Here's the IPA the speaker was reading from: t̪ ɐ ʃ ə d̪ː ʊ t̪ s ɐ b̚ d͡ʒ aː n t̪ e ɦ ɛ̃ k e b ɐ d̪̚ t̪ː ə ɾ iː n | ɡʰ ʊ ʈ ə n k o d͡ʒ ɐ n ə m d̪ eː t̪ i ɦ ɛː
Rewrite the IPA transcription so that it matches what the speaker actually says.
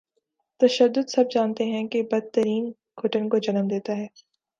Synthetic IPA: t̪ ɐ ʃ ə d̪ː ʊ d̪ s ɐ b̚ d͡ʒ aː n t̪ e ɦ ɛ̃ k e b ɐ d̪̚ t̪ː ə ɾ iː n | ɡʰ ʊ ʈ ə n k o d͡ʒ ɐ n ə m d̪ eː t̪ a ɦ ɛː